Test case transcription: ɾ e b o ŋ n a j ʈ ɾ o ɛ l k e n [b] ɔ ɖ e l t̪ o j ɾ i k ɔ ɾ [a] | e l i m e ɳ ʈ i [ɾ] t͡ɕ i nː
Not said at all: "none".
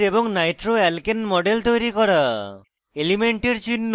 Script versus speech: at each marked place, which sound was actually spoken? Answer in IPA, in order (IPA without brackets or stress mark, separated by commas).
m, a, ɾ